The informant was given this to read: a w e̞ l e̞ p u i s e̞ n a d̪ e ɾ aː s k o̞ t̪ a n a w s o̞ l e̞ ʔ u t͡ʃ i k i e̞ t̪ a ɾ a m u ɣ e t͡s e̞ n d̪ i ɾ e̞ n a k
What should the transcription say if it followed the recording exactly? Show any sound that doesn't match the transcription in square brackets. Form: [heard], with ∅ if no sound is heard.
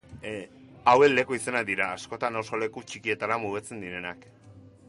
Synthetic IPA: a w e̞ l e̞ [k] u i s e̞ n a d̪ [i] ɾ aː s k o̞ t̪ a n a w s o̞ l e̞ [k] u t͡ʃ i k i e̞ t̪ a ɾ a m u ɣ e t͡s e̞ n d̪ i ɾ e̞ n a k